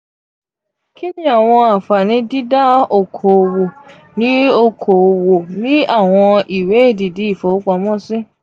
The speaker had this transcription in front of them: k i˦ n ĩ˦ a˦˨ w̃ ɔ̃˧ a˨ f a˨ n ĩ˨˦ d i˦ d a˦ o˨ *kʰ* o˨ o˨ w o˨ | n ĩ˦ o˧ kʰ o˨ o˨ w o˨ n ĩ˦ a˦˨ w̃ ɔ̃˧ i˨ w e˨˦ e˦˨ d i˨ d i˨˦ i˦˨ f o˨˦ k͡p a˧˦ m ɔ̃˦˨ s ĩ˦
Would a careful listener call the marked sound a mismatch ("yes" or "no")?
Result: no